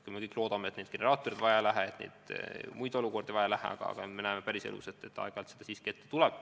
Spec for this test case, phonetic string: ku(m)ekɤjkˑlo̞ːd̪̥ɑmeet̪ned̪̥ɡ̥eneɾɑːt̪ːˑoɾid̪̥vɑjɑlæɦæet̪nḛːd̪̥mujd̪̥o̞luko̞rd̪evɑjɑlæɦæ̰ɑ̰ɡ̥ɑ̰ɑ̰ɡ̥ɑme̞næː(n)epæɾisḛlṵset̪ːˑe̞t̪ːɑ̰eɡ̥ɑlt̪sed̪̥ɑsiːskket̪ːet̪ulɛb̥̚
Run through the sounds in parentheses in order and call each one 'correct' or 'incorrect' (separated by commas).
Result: correct, incorrect